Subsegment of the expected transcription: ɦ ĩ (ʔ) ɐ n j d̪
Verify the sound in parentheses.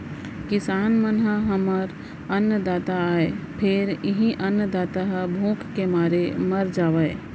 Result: correct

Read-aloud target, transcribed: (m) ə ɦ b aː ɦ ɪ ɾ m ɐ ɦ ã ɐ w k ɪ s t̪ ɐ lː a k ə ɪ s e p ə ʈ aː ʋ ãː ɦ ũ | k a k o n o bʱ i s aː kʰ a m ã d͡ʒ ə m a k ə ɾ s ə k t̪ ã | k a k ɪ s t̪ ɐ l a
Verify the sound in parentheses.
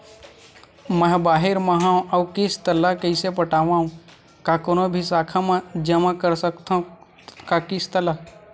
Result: correct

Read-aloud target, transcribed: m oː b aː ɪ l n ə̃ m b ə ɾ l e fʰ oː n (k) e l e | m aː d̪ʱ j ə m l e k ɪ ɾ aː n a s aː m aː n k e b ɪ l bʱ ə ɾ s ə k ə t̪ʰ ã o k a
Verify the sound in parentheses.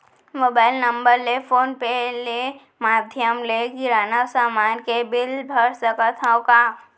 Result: incorrect: p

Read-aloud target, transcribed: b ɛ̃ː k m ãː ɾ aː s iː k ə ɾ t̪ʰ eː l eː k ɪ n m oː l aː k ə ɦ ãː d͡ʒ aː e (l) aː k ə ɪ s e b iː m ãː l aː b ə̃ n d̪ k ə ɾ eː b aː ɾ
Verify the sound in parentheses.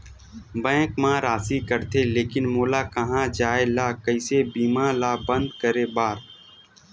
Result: correct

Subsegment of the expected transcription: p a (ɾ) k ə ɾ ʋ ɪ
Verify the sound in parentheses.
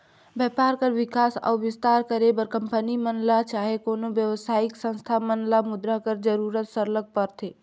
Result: correct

